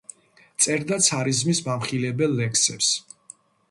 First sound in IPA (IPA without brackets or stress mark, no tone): t̪